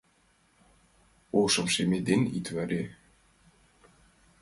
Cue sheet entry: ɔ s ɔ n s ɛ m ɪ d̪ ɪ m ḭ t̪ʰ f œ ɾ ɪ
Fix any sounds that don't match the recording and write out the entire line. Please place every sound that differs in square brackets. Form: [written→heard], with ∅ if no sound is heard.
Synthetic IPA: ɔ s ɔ [n→m] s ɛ m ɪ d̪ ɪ [m→n] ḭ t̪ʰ [f→v] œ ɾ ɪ